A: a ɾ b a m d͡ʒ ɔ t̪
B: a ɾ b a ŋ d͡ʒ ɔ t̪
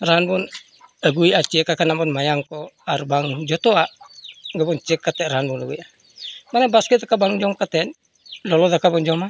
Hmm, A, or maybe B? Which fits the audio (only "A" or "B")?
B